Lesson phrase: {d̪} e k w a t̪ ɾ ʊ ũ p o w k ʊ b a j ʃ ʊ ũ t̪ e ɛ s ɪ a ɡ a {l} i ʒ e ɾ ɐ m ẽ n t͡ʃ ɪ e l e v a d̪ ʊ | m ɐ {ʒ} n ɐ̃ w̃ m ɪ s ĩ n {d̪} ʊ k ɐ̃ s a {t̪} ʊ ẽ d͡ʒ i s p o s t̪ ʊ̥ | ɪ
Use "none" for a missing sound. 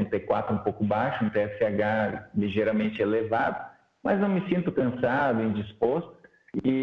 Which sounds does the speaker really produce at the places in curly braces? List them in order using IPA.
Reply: t̪, l, z, t̪, d̪

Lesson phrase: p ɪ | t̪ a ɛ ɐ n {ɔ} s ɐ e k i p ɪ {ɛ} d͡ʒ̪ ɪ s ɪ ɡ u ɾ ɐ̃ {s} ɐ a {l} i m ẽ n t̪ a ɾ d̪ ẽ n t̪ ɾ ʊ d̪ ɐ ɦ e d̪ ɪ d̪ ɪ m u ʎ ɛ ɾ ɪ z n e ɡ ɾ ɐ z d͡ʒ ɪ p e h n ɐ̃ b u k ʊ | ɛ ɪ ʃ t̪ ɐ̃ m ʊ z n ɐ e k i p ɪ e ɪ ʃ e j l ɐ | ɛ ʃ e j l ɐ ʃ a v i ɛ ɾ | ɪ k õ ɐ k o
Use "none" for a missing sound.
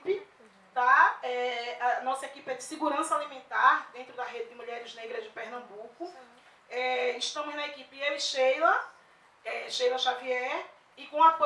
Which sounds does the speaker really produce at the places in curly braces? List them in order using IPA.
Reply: ɔ, ɛ, s, l

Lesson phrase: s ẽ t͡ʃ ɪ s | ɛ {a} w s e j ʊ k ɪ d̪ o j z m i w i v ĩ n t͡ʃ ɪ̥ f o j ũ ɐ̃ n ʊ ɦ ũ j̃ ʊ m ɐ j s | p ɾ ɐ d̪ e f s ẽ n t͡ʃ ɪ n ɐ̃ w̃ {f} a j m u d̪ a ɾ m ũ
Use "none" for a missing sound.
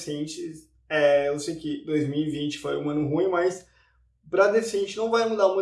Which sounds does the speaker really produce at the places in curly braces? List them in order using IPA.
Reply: e, v

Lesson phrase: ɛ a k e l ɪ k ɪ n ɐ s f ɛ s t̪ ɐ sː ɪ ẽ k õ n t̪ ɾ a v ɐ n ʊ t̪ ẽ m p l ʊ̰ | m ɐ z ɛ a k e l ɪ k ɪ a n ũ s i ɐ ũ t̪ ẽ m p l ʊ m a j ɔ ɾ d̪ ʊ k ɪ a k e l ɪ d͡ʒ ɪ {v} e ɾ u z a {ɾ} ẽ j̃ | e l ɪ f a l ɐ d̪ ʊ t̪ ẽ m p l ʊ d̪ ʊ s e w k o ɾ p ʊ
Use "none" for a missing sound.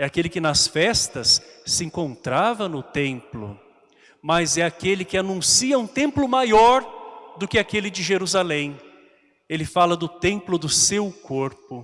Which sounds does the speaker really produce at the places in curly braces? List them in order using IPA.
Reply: ʒ, l

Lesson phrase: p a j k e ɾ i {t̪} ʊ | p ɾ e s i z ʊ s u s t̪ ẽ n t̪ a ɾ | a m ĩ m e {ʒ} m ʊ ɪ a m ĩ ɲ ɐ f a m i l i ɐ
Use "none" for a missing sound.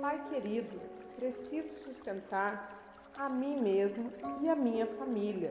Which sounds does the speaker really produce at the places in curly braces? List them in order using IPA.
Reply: d̪, z

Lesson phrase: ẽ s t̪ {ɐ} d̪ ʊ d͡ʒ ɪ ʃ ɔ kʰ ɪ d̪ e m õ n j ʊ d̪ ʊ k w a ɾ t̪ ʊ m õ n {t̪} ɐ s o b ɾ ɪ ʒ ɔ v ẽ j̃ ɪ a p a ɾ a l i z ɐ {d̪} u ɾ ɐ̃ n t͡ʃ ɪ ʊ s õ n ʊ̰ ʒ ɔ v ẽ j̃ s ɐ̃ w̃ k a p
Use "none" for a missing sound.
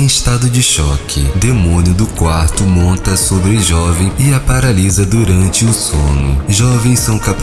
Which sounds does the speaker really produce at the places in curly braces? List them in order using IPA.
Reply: a, t̪, d̪

